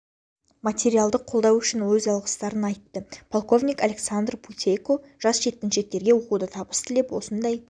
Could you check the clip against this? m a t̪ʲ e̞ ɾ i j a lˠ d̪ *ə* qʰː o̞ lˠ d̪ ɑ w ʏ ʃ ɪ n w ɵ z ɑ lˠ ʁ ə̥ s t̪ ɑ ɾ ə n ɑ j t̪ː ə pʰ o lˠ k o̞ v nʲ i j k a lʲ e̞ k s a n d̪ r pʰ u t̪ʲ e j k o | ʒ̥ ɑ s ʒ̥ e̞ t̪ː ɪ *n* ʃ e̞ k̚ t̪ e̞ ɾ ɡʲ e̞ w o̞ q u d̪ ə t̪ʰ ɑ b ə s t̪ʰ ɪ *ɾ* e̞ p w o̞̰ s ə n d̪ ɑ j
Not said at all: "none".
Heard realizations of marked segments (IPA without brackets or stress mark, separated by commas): ə, n, l